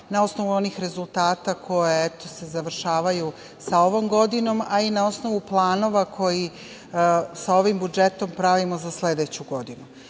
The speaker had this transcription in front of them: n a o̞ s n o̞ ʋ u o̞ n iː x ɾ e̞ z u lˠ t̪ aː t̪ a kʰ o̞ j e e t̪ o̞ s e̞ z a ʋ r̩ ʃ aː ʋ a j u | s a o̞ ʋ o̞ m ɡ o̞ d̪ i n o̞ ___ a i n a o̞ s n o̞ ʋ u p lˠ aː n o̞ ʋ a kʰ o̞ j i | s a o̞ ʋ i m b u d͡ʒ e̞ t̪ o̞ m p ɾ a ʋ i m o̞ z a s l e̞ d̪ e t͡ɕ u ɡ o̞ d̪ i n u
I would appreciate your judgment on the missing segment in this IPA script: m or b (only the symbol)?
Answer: m